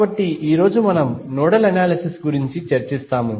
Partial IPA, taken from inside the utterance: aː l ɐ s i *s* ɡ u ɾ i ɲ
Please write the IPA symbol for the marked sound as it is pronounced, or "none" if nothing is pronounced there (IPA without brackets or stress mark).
s